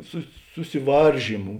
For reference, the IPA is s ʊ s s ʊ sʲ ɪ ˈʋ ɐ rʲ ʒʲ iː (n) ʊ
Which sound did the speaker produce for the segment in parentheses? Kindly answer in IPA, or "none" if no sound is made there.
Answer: m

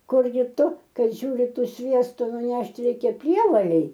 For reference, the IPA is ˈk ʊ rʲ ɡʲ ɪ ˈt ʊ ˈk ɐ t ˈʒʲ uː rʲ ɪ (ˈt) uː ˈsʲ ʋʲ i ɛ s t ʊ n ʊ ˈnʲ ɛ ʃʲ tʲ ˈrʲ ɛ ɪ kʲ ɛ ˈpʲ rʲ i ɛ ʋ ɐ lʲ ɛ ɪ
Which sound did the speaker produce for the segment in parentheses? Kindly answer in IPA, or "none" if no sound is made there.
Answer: t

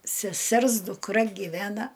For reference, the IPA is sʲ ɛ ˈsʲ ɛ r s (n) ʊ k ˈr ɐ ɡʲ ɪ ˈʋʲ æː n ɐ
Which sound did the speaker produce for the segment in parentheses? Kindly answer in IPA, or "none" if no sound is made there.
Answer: d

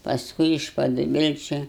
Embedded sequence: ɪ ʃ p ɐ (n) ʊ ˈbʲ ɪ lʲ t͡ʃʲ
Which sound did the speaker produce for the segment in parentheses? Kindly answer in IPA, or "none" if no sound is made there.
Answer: d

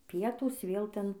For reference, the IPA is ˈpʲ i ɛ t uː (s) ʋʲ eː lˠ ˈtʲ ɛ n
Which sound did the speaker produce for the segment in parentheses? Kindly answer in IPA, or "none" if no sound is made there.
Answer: s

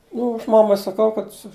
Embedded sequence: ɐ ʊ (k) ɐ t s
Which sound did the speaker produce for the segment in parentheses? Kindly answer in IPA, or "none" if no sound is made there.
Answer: k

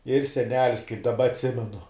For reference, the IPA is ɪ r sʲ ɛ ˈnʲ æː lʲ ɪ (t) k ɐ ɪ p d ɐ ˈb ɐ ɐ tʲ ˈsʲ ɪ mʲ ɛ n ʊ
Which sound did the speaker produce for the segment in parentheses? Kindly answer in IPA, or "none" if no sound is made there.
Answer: s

